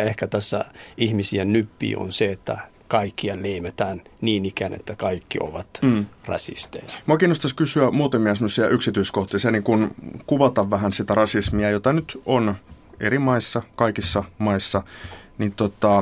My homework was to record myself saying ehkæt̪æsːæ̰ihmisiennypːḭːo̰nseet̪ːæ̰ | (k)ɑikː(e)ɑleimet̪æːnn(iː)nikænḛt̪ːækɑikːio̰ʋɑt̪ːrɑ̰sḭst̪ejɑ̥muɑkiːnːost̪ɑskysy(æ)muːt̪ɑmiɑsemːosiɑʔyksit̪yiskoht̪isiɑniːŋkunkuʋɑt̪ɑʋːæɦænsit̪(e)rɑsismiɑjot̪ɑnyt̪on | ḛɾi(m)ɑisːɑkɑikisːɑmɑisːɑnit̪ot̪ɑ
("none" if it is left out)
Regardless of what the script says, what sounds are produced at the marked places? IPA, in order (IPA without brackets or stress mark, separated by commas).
k, i, iː, æ, æ, m